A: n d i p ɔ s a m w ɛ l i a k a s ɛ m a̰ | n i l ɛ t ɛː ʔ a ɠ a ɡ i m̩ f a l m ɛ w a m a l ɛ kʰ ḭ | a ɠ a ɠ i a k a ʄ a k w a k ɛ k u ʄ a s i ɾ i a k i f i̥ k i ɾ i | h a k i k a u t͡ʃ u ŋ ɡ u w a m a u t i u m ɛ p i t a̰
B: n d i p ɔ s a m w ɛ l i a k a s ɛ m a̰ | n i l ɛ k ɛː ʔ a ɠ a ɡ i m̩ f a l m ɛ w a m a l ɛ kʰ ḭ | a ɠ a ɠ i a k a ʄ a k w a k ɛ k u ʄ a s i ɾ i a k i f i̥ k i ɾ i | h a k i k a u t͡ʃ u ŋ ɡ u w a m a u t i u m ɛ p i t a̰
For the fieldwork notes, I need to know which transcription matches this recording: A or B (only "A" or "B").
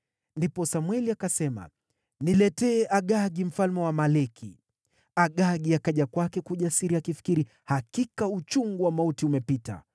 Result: A